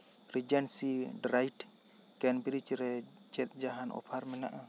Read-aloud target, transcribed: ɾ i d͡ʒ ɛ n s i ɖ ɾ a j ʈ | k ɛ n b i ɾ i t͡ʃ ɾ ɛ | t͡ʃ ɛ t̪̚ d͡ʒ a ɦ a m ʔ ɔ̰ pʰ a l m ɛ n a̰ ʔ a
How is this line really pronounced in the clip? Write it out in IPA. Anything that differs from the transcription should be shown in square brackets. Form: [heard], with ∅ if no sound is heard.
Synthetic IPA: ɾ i d͡ʒ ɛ n s i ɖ ɾ a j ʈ | k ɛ n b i ɾ i t͡ʃ ɾ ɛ | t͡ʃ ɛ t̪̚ d͡ʒ a ɦ a [n] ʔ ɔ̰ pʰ a [ɾ] m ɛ n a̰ ʔ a